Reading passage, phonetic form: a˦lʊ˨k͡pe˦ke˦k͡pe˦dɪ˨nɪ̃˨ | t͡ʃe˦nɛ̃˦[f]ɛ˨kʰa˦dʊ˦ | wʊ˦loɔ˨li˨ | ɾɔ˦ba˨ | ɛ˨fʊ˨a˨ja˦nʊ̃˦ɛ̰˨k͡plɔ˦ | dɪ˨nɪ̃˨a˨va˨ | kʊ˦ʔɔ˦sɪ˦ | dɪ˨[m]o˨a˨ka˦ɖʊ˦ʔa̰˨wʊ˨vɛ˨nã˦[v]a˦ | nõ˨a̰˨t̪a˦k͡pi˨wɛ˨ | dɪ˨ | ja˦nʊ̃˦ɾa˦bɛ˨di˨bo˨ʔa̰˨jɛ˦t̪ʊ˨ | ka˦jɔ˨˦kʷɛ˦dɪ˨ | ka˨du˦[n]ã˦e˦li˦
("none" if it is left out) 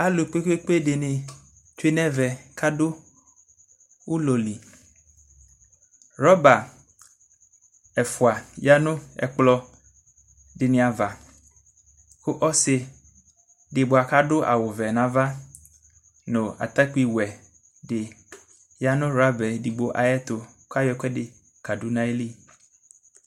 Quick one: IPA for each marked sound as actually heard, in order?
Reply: v, b, v, n

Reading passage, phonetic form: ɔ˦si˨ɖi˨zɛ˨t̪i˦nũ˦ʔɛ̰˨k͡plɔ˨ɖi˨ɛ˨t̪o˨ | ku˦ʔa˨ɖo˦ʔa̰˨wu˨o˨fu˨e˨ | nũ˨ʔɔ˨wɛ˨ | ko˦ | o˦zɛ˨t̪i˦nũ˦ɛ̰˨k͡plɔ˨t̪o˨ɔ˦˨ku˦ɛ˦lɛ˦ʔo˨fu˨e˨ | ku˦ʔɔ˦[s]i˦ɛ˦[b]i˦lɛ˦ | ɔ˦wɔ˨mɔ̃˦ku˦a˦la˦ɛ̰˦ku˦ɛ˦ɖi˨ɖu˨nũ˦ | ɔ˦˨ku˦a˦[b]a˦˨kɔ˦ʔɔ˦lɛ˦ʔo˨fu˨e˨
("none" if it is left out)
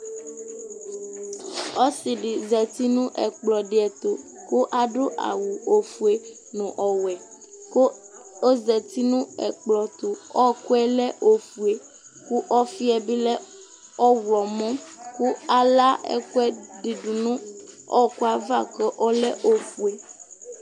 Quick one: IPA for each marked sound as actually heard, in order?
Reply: f, b, v

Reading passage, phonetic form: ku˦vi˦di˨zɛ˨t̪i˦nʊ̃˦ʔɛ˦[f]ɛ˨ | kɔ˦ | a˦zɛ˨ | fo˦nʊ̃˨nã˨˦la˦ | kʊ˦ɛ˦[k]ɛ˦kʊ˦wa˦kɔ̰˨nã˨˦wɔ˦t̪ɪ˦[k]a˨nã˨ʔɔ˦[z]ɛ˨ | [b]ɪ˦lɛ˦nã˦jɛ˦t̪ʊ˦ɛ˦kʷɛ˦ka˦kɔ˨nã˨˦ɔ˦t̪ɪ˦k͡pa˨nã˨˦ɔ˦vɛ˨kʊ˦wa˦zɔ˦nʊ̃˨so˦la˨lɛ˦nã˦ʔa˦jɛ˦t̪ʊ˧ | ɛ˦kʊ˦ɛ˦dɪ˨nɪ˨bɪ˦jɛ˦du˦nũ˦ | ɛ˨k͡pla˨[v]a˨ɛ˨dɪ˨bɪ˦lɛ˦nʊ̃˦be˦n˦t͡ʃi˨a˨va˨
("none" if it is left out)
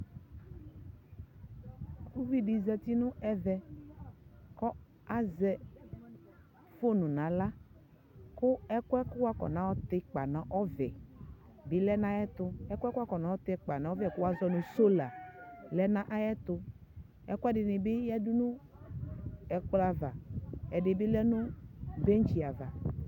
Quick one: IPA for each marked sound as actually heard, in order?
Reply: v, k, k͡p, v, b, v

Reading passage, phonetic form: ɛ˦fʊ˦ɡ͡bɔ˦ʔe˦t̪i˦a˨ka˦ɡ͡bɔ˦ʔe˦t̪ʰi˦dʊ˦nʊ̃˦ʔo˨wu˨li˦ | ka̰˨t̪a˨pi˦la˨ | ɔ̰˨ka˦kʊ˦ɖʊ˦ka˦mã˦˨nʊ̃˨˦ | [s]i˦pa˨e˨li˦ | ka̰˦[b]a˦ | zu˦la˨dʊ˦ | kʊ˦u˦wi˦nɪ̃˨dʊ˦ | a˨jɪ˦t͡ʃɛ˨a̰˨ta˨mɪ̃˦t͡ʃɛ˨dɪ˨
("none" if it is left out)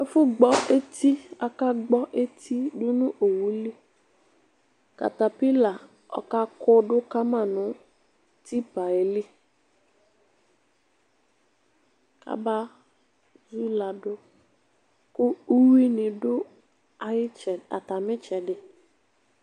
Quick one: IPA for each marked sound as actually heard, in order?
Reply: t, b

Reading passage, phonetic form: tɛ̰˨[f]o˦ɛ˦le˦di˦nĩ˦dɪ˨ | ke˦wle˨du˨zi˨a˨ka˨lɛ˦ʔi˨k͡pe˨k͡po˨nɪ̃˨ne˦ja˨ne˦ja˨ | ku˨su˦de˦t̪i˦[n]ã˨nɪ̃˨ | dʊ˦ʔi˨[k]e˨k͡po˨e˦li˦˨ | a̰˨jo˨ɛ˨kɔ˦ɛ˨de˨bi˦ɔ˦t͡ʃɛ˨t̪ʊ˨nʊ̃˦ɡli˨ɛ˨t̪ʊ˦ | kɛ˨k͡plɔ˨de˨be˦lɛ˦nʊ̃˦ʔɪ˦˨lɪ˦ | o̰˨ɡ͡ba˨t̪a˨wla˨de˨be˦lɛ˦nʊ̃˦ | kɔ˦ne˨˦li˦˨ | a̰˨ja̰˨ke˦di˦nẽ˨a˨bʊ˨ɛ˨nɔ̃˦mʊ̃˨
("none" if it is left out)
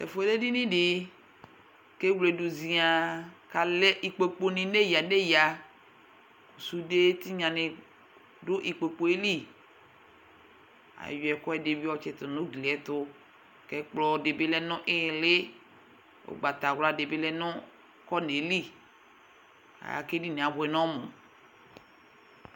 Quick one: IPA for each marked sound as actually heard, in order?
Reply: f, ɲ, k͡p

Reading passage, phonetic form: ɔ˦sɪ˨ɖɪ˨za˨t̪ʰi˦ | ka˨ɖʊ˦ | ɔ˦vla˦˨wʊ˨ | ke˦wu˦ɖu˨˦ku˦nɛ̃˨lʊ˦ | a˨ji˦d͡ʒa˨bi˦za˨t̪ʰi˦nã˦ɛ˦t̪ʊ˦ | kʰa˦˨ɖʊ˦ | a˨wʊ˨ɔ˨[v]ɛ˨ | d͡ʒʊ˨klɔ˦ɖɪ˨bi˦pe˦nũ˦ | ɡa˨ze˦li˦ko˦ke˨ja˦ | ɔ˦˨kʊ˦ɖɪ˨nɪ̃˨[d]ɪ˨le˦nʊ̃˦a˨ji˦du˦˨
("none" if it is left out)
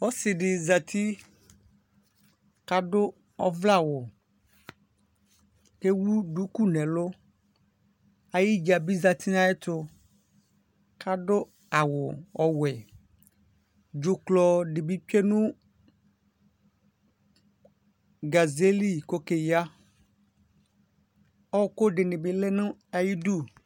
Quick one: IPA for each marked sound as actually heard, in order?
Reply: w, b

